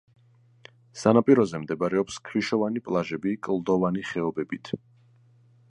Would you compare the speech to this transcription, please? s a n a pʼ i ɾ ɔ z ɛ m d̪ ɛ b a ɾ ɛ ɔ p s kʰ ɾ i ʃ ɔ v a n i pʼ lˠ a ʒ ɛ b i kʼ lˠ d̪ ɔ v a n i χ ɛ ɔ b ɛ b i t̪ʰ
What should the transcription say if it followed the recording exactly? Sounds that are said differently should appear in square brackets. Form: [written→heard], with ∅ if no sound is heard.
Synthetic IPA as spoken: s a n a pʼ i ɾ ɔ z ɛ m d̪ ɛ b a ɾ ɛ ɔ p s kʰ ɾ i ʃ ɔ v a n i pʼ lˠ a ʒ ɛ b i kʼ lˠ d̪ ɔ v a n i χ ɛ ɔ b ɛ b i t̪ʰ